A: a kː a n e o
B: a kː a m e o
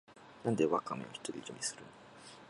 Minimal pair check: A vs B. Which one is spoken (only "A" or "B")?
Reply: B